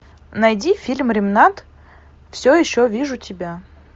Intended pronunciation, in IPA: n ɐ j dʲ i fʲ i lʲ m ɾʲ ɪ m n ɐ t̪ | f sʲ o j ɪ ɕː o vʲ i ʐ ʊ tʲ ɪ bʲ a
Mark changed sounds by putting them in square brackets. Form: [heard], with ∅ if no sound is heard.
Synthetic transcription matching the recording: n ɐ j dʲ i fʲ i lʲ m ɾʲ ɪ m n [a] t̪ | f sʲ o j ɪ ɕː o vʲ i ʐ ʊ tʲ ɪ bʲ a